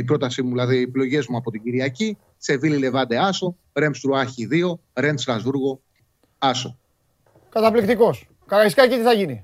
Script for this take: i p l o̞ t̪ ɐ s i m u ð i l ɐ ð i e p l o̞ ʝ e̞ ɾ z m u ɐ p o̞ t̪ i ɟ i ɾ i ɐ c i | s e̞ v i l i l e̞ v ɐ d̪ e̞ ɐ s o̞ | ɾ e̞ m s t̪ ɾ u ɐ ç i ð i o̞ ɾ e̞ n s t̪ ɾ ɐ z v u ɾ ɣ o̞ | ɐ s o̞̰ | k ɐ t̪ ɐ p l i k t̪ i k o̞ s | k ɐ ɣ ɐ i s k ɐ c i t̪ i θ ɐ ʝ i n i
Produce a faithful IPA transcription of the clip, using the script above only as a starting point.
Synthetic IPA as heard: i p ɾ o̞ t̪ ɐ s i m u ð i l ɐ ð i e p l o̞ ʝ e̞ z m u ɐ p o̞ t̪ i ɟ i ɾ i ɐ c i | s e̞ v i l i l e̞ v ɐ d̪ e̞ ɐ s o̞ | ɾ e̞ m s t̪ ɾ u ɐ ç i ð i o̞ ɾ e̞ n s t̪ ɾ ɐ z v u ɾ ɣ o̞ | ɐ s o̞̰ | k ɐ t̪ ɐ p l i k t̪ i k o̞ s | k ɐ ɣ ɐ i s k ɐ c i t̪ i θ ɐ ʝ i n i